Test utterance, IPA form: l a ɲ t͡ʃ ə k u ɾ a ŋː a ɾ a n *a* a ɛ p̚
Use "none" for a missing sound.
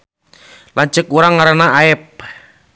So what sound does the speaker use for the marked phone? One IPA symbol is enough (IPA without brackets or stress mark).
a